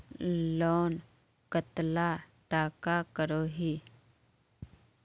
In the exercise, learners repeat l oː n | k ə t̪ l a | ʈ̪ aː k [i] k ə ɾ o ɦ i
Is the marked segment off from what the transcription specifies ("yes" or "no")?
yes